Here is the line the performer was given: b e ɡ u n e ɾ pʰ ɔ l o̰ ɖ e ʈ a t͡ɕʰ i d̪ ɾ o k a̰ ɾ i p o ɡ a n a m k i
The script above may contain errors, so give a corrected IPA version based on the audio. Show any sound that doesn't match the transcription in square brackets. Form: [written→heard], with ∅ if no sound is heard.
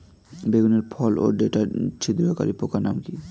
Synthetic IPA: b e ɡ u n e ɾ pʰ ɔ l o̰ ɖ e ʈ a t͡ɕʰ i d̪ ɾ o k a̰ ɾ i p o [ɡ→k] a n a m k i